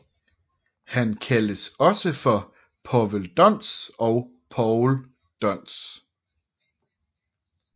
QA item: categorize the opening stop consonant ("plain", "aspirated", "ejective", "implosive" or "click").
aspirated